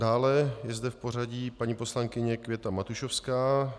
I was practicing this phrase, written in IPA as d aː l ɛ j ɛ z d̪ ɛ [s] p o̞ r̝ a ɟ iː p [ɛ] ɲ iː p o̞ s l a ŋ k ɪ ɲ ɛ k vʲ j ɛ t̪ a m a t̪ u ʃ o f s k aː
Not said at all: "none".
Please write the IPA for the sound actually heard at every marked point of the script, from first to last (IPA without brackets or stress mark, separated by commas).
f, a